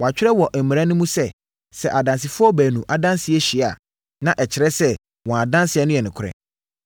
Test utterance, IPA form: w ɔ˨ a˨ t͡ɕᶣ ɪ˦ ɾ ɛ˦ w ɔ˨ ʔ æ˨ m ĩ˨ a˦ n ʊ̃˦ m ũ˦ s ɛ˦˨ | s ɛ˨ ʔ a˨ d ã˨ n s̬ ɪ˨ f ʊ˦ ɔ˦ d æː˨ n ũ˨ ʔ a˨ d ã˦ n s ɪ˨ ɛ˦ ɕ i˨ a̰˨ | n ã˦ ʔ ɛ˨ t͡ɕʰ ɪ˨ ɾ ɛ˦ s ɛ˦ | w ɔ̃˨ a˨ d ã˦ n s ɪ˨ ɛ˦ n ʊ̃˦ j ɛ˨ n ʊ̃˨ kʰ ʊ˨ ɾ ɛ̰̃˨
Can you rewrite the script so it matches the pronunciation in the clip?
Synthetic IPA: w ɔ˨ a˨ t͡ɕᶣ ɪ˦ ɾ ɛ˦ w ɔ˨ ʔ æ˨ m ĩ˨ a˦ n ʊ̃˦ m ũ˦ s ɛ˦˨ | s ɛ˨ ʔ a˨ d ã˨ n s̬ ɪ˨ f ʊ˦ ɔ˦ b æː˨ n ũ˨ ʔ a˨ d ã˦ n s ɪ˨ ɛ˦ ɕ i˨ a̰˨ | n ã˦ ʔ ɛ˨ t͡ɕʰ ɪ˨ ɾ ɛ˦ s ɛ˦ | w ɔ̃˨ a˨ d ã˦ n s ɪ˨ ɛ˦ n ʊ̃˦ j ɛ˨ n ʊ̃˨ kʰ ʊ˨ ɾ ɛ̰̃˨